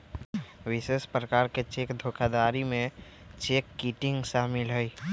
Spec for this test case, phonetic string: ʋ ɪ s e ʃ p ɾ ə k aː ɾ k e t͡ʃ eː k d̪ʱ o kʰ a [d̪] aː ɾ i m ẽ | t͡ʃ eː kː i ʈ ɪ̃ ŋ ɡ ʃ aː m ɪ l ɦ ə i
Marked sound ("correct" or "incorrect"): correct